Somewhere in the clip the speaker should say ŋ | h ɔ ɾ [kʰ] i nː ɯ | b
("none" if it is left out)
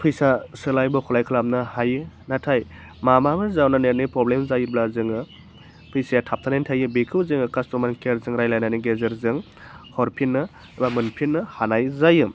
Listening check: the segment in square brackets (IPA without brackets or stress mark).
pʰ